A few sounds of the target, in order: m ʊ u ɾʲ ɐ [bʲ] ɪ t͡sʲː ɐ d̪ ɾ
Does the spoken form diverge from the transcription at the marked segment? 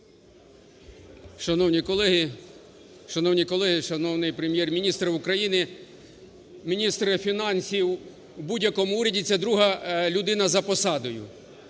yes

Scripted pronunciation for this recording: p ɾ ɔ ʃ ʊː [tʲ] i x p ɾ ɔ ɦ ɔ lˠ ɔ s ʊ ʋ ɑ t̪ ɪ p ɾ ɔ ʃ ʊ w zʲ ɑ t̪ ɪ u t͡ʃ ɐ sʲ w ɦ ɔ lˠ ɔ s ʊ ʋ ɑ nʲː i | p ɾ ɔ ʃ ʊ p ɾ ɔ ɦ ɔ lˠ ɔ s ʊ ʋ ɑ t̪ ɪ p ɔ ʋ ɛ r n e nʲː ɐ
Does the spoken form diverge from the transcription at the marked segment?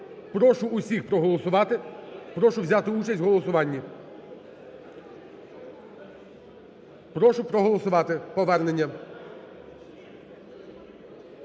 yes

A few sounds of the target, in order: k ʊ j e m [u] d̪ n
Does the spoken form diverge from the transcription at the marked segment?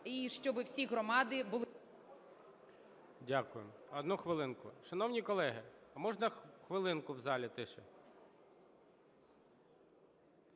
yes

